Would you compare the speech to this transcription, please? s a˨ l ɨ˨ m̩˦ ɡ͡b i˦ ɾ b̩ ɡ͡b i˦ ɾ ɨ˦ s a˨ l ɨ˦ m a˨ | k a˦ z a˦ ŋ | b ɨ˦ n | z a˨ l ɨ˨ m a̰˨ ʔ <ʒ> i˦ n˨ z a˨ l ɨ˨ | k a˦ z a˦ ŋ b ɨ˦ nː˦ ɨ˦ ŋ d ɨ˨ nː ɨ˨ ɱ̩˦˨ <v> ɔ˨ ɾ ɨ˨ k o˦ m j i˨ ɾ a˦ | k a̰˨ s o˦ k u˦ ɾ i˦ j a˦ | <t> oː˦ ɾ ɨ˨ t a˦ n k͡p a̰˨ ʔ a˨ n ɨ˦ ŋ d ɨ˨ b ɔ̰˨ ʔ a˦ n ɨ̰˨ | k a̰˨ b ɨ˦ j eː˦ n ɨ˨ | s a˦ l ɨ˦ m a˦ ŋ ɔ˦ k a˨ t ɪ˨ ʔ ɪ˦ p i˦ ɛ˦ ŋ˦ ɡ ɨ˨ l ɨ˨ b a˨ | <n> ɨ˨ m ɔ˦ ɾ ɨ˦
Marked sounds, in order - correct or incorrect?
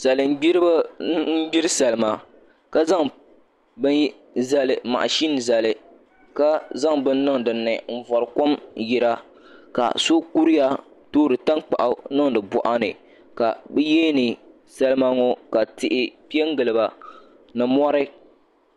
incorrect: ʃ, correct, correct, correct

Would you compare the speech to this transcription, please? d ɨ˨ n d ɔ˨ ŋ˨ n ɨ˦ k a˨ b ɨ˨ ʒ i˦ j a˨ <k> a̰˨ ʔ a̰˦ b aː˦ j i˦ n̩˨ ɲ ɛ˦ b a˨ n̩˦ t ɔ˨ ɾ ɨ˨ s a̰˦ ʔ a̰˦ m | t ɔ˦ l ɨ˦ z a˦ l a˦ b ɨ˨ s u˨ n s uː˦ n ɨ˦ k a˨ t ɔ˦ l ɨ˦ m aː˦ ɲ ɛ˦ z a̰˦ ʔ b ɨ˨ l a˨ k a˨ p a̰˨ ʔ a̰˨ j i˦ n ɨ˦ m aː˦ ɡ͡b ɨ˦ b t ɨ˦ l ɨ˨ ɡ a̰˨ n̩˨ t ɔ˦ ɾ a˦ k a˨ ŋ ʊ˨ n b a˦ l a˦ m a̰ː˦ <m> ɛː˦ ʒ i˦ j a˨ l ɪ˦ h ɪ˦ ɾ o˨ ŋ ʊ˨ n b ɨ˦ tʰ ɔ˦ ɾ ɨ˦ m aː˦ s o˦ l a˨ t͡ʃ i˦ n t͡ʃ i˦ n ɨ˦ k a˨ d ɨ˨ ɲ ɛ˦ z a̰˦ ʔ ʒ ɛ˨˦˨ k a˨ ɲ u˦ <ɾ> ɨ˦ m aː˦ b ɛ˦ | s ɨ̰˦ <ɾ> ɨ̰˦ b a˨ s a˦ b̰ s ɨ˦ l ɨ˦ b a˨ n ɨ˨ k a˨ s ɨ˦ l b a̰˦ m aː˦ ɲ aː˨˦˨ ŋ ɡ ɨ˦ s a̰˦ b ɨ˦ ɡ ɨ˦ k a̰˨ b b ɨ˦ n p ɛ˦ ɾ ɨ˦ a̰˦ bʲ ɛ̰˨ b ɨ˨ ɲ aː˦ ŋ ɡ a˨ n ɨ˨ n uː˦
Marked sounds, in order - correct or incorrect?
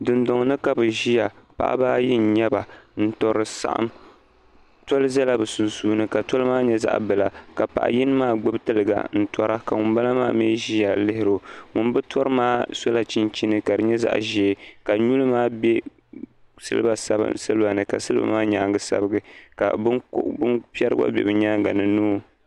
incorrect: p, correct, incorrect: l, incorrect: l

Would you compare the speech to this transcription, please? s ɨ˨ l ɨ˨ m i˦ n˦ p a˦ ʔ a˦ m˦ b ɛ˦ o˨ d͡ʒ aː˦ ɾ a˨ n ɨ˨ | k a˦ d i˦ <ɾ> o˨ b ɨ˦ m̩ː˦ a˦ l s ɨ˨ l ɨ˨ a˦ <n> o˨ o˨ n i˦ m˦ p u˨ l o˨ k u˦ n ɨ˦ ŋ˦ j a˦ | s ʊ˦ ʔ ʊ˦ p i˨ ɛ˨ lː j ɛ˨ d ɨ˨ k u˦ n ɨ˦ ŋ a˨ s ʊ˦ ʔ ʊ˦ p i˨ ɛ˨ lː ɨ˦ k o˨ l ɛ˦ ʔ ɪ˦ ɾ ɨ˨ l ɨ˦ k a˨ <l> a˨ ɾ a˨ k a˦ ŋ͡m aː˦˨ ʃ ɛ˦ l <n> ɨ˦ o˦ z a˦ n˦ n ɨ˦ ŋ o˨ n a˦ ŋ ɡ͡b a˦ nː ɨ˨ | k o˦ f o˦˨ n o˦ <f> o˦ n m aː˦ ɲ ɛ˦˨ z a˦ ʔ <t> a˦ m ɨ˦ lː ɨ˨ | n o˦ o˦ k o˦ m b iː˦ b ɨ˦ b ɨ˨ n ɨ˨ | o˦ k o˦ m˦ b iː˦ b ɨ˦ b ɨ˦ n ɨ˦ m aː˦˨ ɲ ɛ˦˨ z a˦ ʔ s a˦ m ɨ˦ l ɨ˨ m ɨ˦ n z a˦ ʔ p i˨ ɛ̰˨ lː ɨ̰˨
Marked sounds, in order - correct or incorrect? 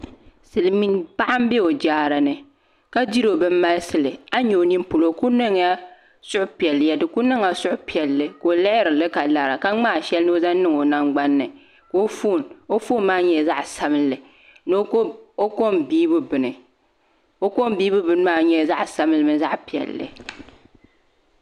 correct, incorrect: ɲ, correct, correct, correct, incorrect: s

